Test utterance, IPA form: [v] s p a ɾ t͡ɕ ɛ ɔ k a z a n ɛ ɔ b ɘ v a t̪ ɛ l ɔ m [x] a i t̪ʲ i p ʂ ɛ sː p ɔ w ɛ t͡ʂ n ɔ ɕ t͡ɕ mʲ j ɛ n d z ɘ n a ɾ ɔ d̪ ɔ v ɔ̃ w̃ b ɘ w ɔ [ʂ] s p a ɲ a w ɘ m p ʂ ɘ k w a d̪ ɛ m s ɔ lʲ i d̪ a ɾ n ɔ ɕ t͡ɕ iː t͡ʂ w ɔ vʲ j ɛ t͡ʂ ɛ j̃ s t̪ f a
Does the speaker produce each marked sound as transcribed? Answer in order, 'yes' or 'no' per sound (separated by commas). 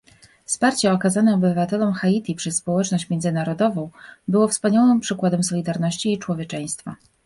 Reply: no, yes, no